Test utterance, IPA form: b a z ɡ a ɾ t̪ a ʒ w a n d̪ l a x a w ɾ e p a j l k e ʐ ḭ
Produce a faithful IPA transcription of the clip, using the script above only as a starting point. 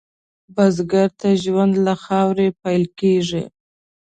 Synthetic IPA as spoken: b a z ɡ a ɾ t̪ a ʒ w a n d̪ l a x ɑ w ɾ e p a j l k e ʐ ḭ

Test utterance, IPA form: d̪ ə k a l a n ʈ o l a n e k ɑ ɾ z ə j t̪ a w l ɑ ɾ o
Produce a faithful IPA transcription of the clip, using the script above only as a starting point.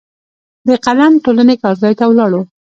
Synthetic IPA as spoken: d̪ ə q a l a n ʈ o l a n e k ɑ ɾ z ɑ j t̪ a w l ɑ ɽ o

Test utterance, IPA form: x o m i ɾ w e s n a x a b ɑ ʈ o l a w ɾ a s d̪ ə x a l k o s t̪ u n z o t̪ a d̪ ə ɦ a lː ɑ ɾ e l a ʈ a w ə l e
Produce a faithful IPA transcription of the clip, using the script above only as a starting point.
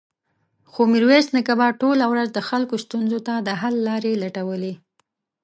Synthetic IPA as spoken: x o m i ɾ w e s n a k a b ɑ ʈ o l a w ɾ a z d̪ ə x a l k o s t̪ u n z o t̪ a d̪ ə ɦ a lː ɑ ɾ e l a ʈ a w ə l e

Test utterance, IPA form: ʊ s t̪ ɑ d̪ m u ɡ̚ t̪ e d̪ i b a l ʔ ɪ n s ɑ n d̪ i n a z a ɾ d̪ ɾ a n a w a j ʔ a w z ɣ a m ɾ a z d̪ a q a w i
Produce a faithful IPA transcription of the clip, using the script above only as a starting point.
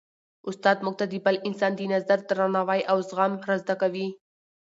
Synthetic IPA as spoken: ʊ s t̪ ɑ d̪ m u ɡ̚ t̪ a d̪ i b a l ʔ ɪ n s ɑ n d̪ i n a z a ɾ d̪ ɾ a n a w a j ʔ a w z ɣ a m ɾ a z d̪ a k a w i

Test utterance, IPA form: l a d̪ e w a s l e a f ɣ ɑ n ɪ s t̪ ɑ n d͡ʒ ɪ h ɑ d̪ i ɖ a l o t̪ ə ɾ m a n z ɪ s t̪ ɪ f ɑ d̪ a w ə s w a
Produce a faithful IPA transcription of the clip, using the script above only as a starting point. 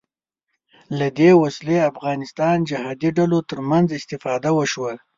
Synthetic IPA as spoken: l a d̪ e w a s l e a f ɣ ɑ n ɪ s t̪ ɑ n d͡ʒ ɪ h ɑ d̪ i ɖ a l o t̪ ə ɾ m a n z ɪ s t̪ ɪ f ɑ d̪ a w ə ʃ w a

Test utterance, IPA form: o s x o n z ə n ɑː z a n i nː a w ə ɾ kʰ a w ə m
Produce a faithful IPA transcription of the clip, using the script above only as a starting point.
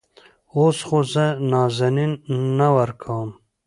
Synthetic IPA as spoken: o s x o z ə n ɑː z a n i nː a w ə ɾ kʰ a w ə m

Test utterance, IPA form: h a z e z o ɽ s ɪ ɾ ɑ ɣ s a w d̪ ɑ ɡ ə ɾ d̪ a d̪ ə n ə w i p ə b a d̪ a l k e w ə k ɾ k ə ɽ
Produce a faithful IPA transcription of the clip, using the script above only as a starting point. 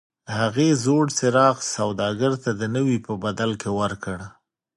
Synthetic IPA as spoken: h a ɣ e z o ɽ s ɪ ɾ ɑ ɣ s a w d̪ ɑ ɡ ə ɾ t̪ a d̪ ə n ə w i p ə b a d̪ a l k e w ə ɾ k ə ɽ

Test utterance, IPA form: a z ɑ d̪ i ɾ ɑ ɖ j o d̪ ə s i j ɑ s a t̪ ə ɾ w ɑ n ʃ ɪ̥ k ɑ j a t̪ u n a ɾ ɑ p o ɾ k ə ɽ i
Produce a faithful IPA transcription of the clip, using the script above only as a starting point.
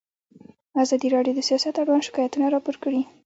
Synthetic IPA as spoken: a z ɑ d̪ i ɾ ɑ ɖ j o d̪ ə s i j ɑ s a t̪ a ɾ w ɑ n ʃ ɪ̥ k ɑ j a t̪ u n a ɾ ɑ p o ɾ k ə ɽ i

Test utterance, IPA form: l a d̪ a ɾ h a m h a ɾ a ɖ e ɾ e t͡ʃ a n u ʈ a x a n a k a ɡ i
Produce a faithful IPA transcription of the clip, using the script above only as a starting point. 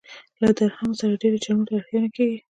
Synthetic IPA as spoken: l a d̪ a ɾ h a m s a ɾ a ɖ e ɾ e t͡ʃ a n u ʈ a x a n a k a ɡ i

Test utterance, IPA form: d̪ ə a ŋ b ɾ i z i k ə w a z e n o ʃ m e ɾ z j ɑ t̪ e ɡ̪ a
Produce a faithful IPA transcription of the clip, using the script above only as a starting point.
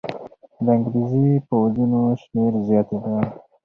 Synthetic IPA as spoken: d̪ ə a ŋ ɡ ɾ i z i p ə w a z i n o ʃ m e ɾ z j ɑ t̪ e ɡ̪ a

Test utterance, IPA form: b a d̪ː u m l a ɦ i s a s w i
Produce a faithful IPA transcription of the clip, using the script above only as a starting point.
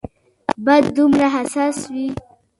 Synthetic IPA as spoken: b a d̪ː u m ɾ a ɦ a s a s w i

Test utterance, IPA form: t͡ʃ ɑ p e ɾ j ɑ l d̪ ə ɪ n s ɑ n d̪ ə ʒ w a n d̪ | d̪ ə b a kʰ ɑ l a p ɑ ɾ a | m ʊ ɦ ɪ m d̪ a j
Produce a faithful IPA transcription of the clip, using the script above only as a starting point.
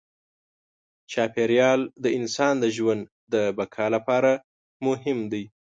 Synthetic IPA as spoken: t͡ʃ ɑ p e ɾ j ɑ l d̪ ə ɪ n s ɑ n d̪ ə ʒ w a n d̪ | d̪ ə b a kʰ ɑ l a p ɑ ɾ a | m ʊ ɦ ɪ m d̪ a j

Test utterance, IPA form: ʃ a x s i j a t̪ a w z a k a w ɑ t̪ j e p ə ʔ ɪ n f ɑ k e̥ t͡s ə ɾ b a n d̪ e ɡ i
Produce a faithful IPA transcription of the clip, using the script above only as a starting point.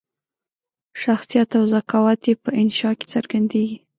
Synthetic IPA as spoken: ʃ a x s i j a t̪ a w z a k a w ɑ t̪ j e p ə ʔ ɪ n ʃ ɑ k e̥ t͡s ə ɾ ɡ a n d̪ e ɡ i

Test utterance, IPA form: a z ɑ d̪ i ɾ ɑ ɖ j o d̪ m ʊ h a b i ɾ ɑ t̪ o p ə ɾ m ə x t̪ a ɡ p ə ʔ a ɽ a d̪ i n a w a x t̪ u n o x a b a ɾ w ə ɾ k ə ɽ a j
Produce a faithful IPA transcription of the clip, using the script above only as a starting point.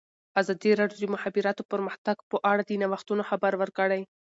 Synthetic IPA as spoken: a z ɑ d̪ i ɾ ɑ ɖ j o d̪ m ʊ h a b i ɾ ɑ t̪ o p ə ɾ m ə x t̪ a ɡ p ə ʔ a ɽ a d̪ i n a w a x t̪ u n o x a b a ɾ w ə ɾ k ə ɽ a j

